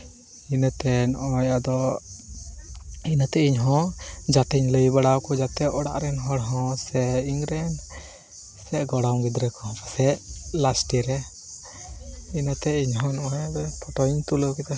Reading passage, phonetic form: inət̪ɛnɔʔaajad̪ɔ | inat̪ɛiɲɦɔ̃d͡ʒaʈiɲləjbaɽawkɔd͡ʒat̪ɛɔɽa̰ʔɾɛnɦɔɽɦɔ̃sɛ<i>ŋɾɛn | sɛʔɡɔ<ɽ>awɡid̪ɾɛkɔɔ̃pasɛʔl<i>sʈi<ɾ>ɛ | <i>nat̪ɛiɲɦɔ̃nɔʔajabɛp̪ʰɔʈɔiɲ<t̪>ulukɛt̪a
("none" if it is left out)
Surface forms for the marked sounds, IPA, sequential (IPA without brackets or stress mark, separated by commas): i, ɽ, a, ɾ, i, t̪